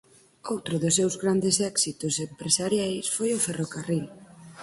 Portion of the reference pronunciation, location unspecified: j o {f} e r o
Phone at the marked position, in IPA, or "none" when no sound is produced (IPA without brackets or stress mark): f